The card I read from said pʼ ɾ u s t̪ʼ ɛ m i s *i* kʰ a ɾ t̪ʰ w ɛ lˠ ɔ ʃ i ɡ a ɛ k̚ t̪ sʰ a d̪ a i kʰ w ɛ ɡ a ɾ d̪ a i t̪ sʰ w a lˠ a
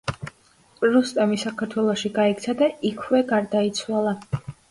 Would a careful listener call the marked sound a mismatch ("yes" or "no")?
yes